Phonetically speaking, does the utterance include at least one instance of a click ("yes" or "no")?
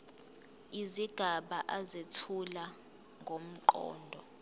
yes